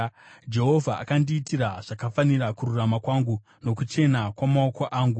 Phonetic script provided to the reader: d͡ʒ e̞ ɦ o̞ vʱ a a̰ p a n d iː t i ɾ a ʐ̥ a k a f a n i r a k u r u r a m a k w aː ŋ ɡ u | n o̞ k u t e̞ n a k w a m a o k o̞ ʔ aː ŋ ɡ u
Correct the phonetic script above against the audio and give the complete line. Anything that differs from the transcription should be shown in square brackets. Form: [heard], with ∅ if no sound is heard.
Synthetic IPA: d͡ʒ e̞ ɦ o̞ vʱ a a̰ [k] a n d iː t i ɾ a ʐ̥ a k a f a n i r a k u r u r a m a k w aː ŋ ɡ u | n o̞ k u [t͡ʃ] e̞ n a k w a m a o k o̞ ʔ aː ŋ ɡ u